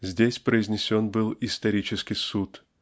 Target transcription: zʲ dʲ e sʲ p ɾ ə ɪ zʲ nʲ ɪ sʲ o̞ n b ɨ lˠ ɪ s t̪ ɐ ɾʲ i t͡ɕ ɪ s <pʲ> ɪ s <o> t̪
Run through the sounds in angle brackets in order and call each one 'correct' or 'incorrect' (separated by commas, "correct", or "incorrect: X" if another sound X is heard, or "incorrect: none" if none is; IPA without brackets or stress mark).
incorrect: kʲ, incorrect: u